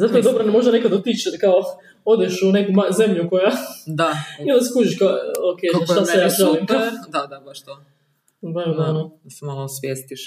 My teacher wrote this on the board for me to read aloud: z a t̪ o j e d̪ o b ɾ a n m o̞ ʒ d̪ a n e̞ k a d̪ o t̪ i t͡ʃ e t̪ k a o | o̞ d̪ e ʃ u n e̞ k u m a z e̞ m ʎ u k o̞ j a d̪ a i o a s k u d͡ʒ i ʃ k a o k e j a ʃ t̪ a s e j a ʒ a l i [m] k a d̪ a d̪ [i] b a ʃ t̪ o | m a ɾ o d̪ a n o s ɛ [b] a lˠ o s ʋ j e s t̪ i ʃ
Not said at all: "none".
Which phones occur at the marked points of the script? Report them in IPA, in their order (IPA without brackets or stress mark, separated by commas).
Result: m, a, m